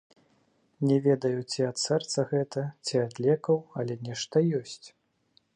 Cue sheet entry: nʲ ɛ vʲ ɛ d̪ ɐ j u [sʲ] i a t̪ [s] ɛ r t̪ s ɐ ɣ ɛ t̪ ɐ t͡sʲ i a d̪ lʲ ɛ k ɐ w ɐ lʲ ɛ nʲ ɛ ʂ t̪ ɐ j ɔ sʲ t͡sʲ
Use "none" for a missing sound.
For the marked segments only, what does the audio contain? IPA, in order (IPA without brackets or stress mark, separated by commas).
t͡sʲ, s